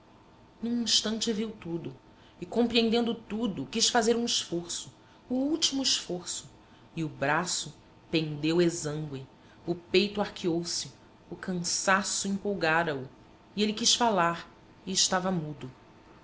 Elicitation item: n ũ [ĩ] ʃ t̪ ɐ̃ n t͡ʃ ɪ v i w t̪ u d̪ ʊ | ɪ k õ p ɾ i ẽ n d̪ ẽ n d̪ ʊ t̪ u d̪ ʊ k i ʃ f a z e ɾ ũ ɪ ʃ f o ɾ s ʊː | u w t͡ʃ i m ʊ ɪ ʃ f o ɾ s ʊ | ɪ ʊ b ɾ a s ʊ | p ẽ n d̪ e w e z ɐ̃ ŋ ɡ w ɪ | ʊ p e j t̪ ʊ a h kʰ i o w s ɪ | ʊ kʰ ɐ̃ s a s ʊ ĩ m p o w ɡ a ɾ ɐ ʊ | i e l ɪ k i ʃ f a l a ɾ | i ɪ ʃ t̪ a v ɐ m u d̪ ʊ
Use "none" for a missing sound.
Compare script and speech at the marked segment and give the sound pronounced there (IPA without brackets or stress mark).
ĩ